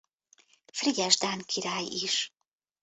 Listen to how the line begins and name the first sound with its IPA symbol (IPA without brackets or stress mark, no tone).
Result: f